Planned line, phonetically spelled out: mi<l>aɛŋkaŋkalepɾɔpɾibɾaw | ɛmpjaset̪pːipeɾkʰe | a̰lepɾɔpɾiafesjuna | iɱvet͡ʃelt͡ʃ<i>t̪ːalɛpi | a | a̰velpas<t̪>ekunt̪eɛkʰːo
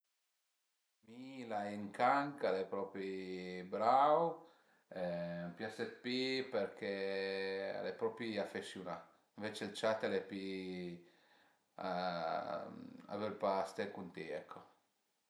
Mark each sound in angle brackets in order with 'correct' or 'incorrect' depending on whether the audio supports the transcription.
correct, incorrect: a, correct

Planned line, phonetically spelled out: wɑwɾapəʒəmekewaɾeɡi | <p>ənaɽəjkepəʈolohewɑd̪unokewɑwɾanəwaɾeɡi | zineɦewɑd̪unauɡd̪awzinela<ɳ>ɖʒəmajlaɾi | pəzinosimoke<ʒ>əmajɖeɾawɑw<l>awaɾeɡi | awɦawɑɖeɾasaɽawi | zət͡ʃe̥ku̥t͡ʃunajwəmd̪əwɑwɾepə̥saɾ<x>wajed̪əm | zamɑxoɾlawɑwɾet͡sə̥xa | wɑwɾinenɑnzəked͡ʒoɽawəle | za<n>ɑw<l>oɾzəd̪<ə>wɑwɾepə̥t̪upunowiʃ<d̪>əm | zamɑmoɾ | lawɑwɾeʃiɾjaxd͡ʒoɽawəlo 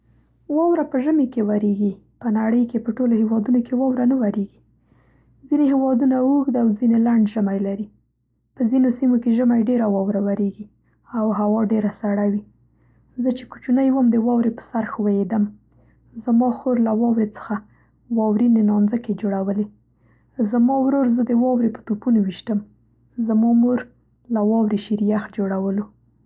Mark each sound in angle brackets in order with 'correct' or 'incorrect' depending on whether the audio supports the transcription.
correct, correct, correct, incorrect: ɾ, correct, incorrect: m, incorrect: ɾ, correct, incorrect: t̪

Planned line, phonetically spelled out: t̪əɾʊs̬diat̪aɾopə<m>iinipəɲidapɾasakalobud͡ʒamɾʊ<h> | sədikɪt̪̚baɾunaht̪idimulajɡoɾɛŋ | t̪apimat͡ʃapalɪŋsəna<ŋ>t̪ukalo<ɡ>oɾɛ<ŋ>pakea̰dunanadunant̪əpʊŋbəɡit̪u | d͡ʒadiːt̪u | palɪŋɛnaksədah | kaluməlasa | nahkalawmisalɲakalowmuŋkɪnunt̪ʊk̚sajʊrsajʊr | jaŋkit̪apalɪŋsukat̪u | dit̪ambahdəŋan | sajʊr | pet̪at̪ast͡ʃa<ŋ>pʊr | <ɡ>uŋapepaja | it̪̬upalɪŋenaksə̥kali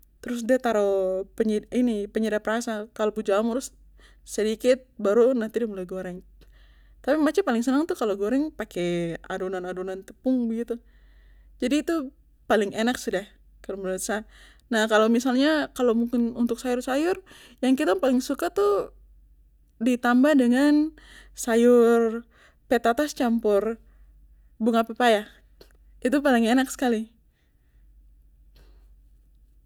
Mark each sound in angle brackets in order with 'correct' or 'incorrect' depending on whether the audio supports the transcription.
incorrect: ɲ, incorrect: s, correct, correct, correct, incorrect: m, incorrect: b

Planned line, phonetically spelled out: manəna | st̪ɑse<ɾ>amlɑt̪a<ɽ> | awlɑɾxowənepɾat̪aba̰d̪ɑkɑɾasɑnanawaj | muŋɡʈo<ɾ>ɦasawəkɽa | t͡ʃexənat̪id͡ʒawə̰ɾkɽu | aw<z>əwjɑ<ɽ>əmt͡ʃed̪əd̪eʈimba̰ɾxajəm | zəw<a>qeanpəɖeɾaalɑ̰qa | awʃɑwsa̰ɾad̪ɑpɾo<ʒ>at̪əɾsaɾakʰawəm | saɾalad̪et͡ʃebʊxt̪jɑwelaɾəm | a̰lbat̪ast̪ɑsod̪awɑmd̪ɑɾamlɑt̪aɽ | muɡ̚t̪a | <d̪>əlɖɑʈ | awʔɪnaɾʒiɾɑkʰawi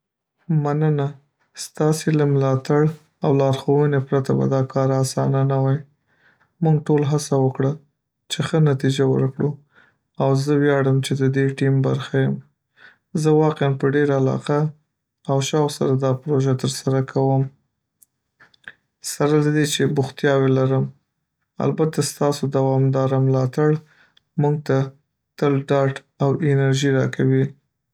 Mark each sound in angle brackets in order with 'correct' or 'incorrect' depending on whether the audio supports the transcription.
incorrect: l, correct, incorrect: l, correct, correct, incorrect: ɑ, correct, incorrect: t̪

